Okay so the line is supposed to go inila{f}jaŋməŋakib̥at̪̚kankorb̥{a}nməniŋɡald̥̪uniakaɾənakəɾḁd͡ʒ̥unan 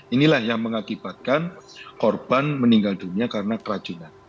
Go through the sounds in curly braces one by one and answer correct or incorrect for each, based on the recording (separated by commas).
incorrect, correct